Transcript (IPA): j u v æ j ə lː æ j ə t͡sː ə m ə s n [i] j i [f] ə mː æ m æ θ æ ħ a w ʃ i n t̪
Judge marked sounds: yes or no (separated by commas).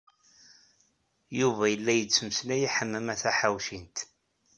no, no